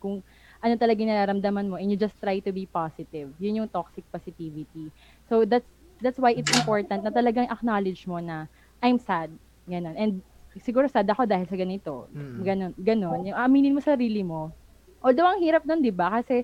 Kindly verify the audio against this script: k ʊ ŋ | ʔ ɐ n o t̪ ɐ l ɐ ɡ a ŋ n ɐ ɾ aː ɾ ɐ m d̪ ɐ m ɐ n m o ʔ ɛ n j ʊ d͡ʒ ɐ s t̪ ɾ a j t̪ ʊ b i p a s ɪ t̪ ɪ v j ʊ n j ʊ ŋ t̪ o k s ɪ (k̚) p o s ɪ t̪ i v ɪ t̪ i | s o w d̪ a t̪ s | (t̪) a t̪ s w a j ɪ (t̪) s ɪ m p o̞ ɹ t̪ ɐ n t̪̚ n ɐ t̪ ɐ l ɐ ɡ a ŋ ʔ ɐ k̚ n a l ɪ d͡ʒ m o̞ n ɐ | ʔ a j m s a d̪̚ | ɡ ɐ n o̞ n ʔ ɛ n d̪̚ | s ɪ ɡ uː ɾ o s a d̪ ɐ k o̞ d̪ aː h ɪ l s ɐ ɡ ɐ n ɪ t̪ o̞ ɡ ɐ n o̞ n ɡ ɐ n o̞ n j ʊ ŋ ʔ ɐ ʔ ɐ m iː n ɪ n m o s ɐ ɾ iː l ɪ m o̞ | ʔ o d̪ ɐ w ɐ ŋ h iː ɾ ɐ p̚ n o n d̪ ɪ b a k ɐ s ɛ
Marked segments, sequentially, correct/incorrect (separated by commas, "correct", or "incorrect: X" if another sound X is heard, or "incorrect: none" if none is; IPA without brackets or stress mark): correct, incorrect: d̪, correct